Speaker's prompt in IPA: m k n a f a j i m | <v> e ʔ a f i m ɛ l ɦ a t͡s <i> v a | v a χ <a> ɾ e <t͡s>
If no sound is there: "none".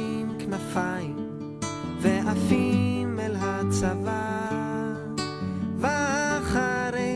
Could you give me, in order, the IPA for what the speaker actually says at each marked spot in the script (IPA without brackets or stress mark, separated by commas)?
v, a, a, none